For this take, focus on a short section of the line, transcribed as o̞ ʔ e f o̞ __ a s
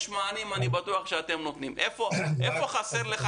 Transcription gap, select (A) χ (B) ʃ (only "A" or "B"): A